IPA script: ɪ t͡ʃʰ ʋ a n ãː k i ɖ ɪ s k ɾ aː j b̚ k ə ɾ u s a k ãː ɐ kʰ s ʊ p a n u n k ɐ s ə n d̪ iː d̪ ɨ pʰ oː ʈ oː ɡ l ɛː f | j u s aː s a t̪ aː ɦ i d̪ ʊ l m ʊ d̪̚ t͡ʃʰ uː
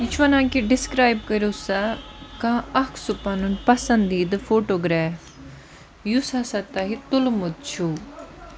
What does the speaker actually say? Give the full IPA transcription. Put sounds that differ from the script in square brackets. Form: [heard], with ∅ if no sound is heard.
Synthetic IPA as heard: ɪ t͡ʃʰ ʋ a n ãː k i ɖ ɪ s k ɾ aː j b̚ k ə ɾ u s a k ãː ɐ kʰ s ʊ p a n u n [p] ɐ s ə n d̪ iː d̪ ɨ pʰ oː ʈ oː ɡ [ɾ] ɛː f | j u s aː s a t̪ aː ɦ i [t̪] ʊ l m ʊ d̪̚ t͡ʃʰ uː